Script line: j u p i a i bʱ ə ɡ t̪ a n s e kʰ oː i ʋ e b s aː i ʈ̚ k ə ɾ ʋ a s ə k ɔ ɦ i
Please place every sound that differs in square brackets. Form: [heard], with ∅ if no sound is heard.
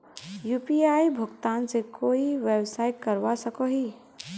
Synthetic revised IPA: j u p i a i bʱ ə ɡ t̪ a n s e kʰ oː i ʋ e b s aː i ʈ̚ k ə ɾ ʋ a s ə k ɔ ɦ i